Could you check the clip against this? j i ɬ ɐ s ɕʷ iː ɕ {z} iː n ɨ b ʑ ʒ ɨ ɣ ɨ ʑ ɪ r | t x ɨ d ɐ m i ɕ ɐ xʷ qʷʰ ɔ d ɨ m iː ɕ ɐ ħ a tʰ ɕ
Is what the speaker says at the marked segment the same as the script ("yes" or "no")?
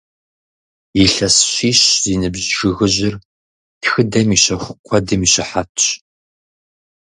yes